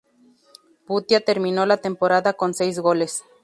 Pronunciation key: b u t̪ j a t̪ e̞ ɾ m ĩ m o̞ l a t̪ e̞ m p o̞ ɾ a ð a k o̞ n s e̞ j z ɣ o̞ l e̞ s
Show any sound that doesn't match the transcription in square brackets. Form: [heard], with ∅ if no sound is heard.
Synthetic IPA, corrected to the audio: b u t̪ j a t̪ e̞ ɾ m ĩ [n] o̞ l a t̪ e̞ m p o̞ ɾ a ð a k o̞ n s e̞ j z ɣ o̞ l e̞ s